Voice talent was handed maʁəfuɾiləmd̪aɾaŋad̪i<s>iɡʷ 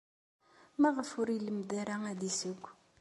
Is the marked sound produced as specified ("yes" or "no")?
yes